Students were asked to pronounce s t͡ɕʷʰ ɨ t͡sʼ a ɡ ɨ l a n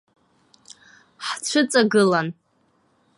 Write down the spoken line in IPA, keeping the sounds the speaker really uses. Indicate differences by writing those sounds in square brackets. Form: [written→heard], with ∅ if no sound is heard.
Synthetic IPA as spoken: [s→ħ] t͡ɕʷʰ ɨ t͡sʼ a ɡ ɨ l a n